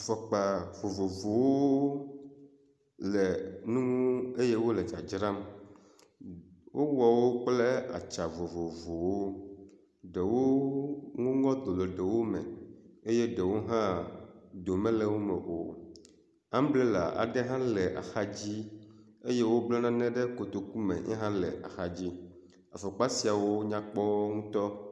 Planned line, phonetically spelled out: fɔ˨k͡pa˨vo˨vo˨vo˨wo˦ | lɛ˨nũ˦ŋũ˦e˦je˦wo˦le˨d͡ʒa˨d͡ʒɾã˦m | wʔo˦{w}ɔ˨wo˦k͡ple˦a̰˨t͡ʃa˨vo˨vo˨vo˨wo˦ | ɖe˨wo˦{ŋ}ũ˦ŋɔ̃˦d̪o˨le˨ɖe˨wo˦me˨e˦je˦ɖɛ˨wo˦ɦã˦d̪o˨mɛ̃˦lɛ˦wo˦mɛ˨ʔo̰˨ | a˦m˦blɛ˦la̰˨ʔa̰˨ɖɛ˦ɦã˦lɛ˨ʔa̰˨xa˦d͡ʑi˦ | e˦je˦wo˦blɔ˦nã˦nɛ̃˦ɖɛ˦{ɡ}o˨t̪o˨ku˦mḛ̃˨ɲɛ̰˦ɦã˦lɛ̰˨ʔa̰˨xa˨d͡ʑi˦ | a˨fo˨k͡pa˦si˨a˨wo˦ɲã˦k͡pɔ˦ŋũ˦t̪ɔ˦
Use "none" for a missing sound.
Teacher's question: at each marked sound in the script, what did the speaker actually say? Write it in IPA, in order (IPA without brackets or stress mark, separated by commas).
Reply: w, ŋ, k